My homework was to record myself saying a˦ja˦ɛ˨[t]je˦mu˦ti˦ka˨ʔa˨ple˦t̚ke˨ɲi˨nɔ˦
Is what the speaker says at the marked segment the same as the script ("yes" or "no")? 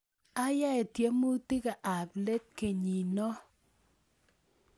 yes